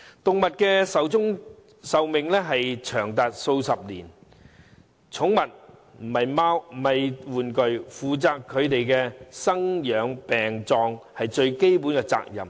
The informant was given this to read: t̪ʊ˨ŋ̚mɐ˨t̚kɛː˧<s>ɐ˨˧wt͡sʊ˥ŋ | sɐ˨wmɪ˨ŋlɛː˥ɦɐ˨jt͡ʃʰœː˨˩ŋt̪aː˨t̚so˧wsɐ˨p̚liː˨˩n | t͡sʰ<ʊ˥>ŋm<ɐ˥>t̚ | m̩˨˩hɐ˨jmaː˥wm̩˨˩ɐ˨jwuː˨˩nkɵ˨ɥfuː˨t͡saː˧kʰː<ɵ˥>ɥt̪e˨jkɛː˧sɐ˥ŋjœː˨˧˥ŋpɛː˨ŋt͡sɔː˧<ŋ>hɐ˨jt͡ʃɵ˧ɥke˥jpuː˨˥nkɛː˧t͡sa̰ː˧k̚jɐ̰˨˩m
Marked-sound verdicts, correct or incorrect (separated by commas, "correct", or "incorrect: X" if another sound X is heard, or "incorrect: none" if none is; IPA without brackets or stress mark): correct, incorrect: ʊ˨˥, incorrect: ɐ˨, incorrect: ɵ˨˧, correct